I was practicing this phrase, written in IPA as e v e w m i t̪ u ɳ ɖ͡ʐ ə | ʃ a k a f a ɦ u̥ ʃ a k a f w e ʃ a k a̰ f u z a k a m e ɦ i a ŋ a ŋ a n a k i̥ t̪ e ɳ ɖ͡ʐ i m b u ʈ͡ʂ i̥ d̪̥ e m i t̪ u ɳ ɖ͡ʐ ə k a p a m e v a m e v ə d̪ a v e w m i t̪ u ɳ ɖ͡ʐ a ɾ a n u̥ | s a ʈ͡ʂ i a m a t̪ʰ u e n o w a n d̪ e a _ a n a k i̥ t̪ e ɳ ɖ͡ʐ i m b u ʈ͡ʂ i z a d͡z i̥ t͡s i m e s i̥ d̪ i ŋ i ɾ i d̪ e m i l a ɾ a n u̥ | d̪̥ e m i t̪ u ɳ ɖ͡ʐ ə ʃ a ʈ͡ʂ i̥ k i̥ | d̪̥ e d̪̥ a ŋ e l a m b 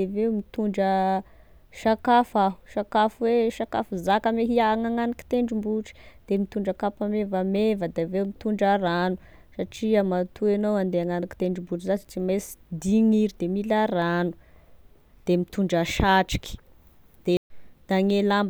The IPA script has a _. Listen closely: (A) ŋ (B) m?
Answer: A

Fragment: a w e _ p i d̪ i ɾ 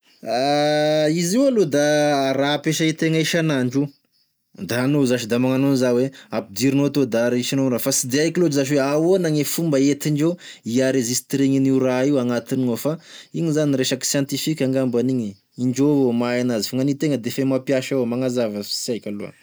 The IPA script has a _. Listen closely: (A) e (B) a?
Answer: B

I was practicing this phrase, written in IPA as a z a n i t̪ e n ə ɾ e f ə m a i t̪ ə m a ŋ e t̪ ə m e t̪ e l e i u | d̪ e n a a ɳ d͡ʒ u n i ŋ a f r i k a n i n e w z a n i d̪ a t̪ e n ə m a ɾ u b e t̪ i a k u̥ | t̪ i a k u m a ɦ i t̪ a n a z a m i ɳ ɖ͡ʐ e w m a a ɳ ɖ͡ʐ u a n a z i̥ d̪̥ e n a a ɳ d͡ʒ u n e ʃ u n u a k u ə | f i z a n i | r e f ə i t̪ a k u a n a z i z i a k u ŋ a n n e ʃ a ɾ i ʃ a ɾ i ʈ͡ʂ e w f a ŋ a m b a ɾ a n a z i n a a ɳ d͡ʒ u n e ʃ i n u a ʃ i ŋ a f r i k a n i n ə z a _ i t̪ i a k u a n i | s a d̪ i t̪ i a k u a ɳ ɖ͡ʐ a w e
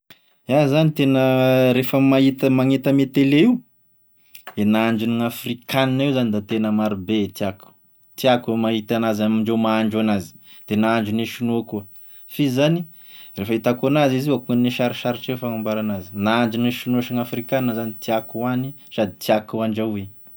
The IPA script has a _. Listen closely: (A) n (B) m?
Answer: A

